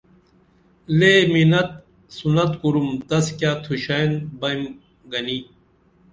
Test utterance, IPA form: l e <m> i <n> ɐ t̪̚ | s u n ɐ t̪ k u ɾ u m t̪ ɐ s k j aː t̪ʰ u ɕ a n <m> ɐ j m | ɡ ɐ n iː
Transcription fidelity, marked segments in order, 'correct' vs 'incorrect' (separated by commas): correct, correct, incorrect